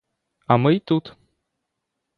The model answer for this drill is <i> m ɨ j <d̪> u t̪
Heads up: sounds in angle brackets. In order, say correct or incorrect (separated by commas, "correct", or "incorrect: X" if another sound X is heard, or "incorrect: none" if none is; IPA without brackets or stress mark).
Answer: incorrect: a, incorrect: t̪